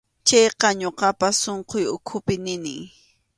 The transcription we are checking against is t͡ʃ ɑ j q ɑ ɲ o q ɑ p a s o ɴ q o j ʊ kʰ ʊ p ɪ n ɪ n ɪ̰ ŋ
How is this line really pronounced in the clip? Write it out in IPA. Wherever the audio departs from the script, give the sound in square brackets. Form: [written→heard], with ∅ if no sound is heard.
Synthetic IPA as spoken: t͡ʃ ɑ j q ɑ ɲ o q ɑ p a s o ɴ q o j ʊ kʰ ʊ p ɪ n ɪ n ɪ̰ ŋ